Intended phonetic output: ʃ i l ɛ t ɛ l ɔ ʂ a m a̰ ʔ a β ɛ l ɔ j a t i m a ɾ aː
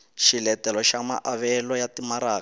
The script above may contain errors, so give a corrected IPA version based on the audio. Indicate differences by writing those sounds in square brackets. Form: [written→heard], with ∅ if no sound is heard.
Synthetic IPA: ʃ i l ɛ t ɛ l ɔ [ʂ→ʃ] a m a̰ ʔ a β ɛ l ɔ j a t i m a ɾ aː